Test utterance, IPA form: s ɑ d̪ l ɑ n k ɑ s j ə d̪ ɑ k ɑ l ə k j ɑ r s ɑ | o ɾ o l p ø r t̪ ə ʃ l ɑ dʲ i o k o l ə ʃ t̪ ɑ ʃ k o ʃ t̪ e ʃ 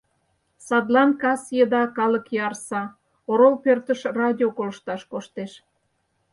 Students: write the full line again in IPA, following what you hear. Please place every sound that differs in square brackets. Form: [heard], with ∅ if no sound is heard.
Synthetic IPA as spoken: s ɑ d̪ l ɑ n k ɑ s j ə d̪ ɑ k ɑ l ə k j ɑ r s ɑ | o ɾ o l p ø r t̪ ə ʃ [r] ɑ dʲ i o k o l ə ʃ t̪ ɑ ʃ k o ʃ t̪ e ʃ